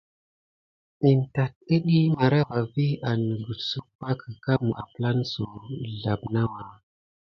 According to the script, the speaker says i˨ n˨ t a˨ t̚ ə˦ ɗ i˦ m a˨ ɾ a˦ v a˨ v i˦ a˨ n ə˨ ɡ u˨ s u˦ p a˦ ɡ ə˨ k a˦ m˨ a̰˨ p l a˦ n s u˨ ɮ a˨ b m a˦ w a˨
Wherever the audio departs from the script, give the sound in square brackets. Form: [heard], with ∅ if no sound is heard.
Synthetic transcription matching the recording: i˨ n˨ t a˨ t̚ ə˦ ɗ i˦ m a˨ ɾ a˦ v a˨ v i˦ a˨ n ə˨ ɡ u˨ s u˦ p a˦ [k] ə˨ k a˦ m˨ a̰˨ p l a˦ n s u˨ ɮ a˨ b [n] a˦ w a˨